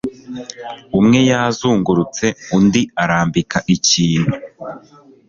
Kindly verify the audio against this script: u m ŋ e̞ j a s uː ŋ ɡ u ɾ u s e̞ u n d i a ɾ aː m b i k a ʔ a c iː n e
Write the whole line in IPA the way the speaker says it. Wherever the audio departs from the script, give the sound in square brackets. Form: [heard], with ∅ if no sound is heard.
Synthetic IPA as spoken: u m ŋ e̞ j a [z] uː ŋ ɡ u ɾ u [t͡s] e̞ u n d i a ɾ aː m b i k a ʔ [i] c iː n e

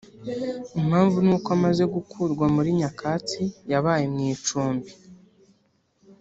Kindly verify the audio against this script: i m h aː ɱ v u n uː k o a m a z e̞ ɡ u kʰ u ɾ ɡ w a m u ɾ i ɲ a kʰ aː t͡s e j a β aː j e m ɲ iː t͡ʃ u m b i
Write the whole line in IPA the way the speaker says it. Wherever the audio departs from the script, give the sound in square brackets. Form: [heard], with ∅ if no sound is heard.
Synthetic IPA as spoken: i m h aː ɱ v u n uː k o a m a z e̞ ɡ u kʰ u ɾ ɡ w a m u ɾ i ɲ a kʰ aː t͡s [i] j a β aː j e m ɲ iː t͡ʃ [uː] m b i

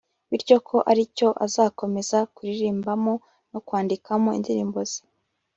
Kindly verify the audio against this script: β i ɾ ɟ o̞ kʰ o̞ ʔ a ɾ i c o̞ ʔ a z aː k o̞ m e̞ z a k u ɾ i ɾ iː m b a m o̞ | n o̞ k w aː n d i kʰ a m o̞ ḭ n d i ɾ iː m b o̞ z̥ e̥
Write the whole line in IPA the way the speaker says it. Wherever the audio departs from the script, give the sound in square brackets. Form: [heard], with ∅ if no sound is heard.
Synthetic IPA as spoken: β i ɾ ɟ o̞ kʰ o̞ ʔ a ɾ i c o̞ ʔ a z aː k o̞ m e̞ z a k u ɾ i ɾ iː m b a m o̞ | n o̞ k w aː n d i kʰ a m o̞ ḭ n d i ɾ iː m b o̞ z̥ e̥

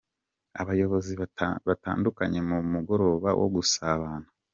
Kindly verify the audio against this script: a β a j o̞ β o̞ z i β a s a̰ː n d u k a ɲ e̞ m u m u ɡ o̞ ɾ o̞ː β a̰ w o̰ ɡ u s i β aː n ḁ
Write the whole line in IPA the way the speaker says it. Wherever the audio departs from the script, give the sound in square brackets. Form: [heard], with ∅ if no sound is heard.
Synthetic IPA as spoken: a β a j o̞ β o̞ z i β a [t] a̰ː n d u k a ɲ e̞ m u m u ɡ o̞ ɾ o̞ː β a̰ w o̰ ɡ u s [a] β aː n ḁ

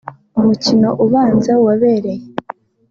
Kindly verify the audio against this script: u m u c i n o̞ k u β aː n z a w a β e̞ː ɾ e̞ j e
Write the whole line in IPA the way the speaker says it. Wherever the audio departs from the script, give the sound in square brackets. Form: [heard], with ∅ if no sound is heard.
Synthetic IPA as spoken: u m u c i n o̞ [ʔ] u β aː n z a w a β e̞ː ɾ e̞ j e

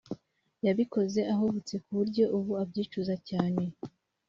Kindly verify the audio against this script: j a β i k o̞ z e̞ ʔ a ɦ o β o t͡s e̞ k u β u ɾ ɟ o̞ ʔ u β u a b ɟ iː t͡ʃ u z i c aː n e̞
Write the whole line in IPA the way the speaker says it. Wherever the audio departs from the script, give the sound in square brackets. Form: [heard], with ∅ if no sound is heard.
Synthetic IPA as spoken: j a β i k o̞ z e̞ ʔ a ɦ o β [u] t͡s e̞ k u β u ɾ ɟ o̞ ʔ u β u a b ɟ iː t͡ʃ u z [a] c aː n e̞

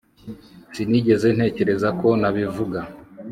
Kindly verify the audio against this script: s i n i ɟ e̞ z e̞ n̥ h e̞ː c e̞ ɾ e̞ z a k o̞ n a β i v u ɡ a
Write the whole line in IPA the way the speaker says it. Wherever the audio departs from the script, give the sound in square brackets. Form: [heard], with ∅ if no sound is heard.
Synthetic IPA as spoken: s i n i ɟ e̞ z e̞ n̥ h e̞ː c e̞ ɾ e̞ z a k o̞ n a β i v u ɡ a

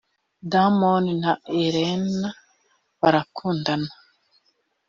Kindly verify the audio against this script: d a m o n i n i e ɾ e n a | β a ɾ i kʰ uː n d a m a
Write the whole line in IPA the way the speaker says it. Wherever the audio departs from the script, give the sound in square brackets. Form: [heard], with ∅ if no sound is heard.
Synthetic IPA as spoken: d a m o n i n [a] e ɾ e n a | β a ɾ [a] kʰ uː n d a [n] a

